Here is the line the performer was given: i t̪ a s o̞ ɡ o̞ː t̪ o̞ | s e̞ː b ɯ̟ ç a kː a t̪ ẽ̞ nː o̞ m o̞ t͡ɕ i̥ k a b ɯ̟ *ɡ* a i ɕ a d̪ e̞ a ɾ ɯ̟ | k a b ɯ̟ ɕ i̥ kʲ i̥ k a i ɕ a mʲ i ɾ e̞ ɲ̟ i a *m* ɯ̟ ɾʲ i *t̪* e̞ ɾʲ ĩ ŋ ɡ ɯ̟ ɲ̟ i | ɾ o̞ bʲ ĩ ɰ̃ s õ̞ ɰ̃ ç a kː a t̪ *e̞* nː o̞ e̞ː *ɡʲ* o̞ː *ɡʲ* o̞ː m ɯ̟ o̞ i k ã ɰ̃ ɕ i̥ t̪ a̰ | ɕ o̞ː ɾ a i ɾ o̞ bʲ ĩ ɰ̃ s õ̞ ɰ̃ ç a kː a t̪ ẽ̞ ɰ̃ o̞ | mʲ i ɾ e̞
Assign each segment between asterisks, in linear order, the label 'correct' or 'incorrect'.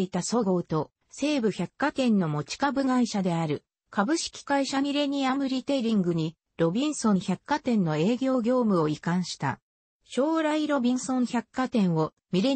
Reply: correct, correct, correct, incorrect, correct, correct

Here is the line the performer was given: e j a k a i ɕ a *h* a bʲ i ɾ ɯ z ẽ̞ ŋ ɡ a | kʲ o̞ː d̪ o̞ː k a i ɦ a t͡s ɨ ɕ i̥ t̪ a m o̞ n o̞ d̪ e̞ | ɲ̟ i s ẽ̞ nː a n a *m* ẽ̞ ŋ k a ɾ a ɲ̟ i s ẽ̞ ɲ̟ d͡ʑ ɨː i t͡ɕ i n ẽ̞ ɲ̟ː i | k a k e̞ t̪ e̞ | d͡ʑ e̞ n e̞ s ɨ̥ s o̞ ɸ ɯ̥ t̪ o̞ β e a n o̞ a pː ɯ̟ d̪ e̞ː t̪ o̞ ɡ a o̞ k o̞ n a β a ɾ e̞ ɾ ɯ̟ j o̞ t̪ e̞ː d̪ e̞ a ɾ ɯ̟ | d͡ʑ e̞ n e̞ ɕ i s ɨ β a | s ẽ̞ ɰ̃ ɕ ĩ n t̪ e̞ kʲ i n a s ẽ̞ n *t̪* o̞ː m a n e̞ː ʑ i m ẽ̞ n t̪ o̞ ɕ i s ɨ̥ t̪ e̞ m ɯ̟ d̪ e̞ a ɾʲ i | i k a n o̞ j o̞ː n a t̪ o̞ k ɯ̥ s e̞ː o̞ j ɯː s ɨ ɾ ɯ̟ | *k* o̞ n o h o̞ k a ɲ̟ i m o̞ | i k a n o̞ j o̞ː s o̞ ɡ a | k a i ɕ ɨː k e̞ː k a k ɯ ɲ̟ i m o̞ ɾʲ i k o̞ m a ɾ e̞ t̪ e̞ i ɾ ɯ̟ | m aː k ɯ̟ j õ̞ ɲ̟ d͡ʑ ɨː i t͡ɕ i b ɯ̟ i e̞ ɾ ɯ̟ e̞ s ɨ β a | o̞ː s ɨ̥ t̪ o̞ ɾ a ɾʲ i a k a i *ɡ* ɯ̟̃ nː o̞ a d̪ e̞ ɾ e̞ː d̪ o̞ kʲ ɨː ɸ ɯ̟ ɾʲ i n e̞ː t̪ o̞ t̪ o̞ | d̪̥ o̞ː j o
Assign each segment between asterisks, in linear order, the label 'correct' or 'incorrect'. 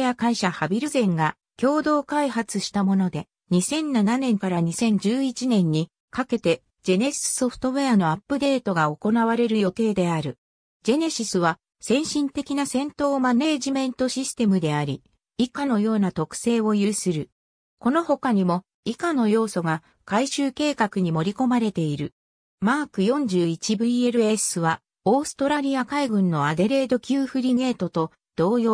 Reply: correct, incorrect, correct, correct, correct

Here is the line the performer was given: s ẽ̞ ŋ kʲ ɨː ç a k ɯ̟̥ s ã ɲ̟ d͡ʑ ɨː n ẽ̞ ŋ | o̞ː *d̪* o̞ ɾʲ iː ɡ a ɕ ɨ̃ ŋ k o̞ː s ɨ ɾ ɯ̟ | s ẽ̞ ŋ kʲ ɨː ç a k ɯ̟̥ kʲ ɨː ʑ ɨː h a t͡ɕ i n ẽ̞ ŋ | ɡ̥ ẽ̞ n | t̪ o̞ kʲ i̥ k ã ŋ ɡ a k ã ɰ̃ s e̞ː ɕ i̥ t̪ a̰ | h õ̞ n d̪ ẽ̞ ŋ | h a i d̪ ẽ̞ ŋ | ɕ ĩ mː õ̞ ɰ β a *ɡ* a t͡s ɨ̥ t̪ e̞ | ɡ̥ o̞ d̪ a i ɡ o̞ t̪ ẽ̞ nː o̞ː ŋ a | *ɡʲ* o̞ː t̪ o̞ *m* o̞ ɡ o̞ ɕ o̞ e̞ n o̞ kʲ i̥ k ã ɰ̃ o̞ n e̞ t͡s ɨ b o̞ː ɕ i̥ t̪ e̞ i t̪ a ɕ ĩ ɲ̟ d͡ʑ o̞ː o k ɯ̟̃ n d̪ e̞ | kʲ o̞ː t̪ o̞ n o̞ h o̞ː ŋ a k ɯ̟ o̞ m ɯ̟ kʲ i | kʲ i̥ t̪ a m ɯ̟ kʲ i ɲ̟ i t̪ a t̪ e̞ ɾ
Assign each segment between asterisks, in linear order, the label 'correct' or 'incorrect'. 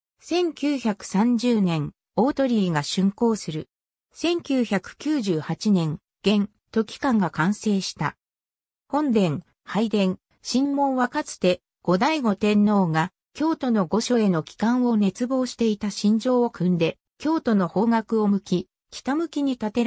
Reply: incorrect, incorrect, incorrect, incorrect

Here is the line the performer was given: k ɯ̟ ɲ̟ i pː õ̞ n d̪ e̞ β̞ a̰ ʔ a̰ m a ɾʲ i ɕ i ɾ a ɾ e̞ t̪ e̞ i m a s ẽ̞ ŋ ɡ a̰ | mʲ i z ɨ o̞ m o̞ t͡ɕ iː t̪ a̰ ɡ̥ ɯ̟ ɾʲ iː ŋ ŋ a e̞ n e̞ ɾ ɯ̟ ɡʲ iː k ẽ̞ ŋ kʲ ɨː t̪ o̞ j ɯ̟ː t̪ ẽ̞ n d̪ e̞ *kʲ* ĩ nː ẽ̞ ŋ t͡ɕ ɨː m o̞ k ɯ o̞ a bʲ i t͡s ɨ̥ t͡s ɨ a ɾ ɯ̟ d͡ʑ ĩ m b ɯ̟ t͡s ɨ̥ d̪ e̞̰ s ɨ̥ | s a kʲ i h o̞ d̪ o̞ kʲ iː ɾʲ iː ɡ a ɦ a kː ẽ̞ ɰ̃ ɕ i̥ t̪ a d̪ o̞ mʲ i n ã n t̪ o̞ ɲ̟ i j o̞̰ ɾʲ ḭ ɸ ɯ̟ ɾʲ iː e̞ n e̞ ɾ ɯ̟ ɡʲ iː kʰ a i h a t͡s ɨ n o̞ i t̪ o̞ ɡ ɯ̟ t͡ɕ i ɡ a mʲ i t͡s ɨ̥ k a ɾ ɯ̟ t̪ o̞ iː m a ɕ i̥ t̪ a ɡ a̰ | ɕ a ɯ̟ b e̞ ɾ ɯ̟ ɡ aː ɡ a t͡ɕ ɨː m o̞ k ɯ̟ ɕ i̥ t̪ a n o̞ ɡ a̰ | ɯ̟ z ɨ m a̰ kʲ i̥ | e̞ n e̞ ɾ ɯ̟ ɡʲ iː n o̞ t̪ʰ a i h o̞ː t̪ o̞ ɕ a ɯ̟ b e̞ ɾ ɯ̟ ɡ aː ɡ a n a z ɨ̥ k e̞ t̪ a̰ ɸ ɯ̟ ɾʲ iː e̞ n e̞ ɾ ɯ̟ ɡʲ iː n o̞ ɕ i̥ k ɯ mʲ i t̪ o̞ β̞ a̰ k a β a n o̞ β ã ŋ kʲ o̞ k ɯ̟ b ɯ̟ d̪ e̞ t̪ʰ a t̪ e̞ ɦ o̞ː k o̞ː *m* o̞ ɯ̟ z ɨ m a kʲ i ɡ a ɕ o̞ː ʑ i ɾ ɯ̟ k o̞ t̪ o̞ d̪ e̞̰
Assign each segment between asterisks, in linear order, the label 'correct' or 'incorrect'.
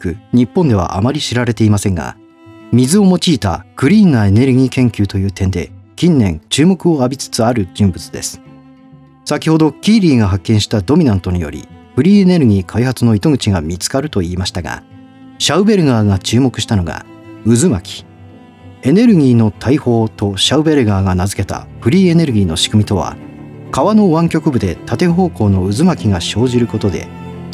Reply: correct, incorrect

